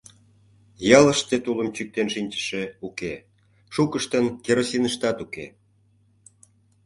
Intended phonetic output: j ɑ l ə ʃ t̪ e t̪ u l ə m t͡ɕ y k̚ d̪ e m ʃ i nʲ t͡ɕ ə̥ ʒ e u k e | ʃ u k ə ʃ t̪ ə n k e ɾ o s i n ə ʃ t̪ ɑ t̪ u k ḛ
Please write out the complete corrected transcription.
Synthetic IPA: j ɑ l ə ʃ t̪ e t̪ u l ə m t͡ɕ y k̚ t̪ e n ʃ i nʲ t͡ɕ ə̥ ʃ e u k e | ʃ u k ə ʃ t̪ ə n k e ɾ o s i n ə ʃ t̪ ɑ t̪ u k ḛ